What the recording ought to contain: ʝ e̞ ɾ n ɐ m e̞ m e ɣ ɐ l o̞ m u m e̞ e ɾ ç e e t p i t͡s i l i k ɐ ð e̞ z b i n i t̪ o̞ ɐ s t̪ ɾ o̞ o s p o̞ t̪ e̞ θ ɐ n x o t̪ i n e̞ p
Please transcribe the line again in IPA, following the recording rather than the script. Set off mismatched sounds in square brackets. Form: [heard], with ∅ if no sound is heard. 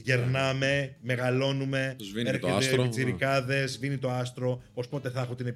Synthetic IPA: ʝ e̞ ɾ n ɐ m e̞ m e ɣ ɐ l o̞ [n] u m e̞ e ɾ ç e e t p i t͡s i [ɾ] i k ɐ ð e̞ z [v] i n i t̪ o̞ ɐ s t̪ ɾ o̞ o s p o̞ t̪ e̞ θ ɐ [∅] x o t̪ i n e̞ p